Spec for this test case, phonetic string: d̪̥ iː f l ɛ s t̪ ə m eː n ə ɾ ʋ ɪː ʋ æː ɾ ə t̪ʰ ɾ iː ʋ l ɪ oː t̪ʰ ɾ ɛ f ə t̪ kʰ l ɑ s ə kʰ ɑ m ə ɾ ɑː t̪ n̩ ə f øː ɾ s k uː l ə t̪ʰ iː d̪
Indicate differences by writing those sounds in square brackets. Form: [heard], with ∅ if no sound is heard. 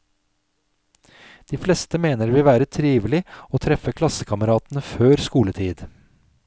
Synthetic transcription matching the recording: d̪̥ iː f l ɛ s t̪ ə m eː n ə ɾ ʋ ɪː ʋ æː ɾ ə t̪ʰ ɾ iː ʋ l ɪ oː t̪ʰ ɾ ɛ f ə [∅] kʰ l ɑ s ə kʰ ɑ m ə ɾ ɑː t̪ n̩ ə f øː ɾ s k uː l ə t̪ʰ iː d̪